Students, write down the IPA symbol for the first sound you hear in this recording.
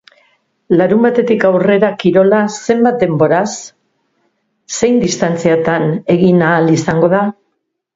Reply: l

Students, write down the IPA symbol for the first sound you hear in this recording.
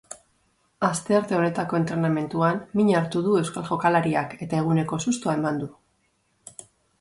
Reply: a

